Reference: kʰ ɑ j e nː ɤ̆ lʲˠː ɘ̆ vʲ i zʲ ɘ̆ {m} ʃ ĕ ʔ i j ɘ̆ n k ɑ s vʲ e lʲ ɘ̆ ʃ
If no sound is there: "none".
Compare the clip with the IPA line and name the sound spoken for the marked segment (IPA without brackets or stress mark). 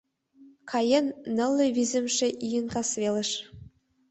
m